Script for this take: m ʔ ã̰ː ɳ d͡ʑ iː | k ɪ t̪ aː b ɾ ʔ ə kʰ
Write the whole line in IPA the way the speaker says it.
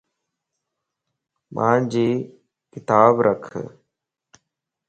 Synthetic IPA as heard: m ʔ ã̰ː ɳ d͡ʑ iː | k ɪ t̪ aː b ɾ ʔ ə kʰ